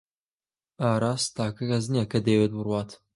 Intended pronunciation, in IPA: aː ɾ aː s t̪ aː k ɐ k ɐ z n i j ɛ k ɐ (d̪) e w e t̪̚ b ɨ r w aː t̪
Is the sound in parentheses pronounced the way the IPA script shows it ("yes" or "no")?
yes